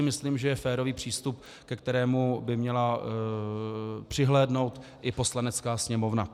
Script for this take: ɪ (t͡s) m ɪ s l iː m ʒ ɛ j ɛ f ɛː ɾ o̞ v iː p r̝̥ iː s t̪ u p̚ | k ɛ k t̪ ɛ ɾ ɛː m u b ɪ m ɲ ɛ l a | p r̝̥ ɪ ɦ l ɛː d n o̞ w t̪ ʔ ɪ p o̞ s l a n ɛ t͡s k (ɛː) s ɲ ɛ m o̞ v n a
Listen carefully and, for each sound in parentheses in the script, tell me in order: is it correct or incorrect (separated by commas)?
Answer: incorrect, incorrect